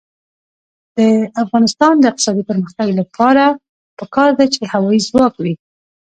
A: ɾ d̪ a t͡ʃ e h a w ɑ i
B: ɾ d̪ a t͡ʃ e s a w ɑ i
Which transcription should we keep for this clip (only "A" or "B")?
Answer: A